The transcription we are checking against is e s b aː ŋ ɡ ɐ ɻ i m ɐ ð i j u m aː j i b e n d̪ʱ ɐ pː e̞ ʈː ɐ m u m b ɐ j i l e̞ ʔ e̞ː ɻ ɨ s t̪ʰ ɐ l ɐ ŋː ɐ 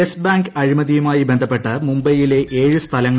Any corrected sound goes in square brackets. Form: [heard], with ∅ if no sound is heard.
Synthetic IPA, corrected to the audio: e s b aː ŋ ɡ ɐ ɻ i m ɐ ð i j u m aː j i b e n d̪ʱ ɐ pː e̞ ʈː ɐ m u m b ɐ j i l e̞ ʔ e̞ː ɻ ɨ s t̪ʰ ɐ l ɐ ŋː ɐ